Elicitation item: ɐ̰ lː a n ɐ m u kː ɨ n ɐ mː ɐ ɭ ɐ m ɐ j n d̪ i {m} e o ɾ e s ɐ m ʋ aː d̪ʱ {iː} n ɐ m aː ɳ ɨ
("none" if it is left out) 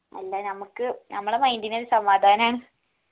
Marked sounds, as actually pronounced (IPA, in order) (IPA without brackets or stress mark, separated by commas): n, aː